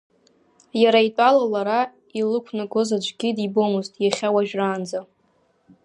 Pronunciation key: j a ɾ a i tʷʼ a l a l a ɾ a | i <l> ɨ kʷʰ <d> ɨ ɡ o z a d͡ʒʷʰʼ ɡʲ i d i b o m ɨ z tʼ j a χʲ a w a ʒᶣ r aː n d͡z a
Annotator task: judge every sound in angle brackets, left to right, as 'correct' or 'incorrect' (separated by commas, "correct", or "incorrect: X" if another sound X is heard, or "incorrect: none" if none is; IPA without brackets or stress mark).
correct, incorrect: n